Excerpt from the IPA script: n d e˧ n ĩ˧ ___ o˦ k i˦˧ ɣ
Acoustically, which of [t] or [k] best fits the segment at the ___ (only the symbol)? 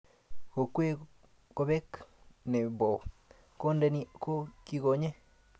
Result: k